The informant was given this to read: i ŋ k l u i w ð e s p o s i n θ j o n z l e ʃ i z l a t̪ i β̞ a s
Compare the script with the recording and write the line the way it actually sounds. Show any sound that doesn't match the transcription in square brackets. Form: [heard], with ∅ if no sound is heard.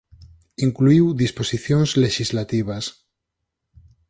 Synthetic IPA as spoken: i ŋ k l u i w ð [i] s p o s i [∅] θ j o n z l e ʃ i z l a t̪ i β̞ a s